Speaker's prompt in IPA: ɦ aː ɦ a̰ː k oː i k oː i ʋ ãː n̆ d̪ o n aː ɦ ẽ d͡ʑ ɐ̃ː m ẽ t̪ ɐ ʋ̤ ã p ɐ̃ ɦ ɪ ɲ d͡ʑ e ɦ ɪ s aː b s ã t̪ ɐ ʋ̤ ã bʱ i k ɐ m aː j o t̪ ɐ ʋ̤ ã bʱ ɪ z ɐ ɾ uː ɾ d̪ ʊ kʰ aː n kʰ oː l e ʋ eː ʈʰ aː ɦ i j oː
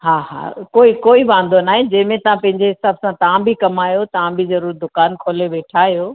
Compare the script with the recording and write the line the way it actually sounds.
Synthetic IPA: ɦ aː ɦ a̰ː k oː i k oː i ʋ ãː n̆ d̪ o n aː ɦ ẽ d͡ʑ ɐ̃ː m ẽ t̪ ɐ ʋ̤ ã p ɐ̃ ɦ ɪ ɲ d͡ʑ e ɦ ɪ s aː b s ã t̪ ɐ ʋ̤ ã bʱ i k ɐ m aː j o t̪ ɐ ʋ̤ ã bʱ i z ɐ ɾ uː ɾ d̪ ʊ k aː n kʰ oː l e ʋ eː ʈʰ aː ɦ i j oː